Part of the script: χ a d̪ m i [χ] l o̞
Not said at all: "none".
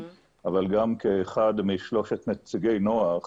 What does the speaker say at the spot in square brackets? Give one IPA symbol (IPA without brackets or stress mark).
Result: ʃ